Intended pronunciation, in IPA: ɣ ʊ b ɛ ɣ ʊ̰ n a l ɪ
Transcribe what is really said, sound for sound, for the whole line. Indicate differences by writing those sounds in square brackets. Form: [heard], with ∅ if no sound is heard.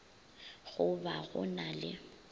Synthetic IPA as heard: ɣ ʊ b [a] ɣ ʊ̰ n a l ɪ